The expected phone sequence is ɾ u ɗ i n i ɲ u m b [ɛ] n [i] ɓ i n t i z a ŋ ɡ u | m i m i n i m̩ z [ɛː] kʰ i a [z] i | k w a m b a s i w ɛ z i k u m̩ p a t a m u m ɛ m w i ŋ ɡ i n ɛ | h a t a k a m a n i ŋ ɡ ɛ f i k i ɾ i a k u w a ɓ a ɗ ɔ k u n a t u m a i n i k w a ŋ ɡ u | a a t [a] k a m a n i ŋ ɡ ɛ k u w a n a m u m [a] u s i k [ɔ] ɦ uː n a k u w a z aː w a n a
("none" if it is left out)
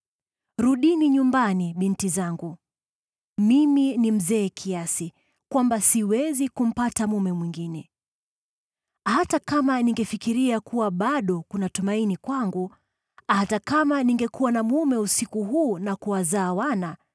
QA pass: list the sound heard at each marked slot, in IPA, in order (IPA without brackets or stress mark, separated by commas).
a, i, ɛː, s, a, ɛ, u